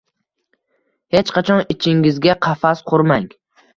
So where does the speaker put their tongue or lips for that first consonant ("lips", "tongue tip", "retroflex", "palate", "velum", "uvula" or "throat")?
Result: throat